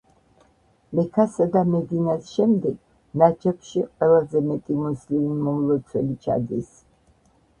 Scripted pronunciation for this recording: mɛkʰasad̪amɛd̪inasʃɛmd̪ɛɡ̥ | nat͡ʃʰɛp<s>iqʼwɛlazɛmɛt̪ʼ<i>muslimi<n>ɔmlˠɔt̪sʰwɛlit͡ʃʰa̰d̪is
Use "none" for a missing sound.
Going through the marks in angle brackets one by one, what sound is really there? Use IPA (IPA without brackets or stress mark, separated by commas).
ʃ, i, m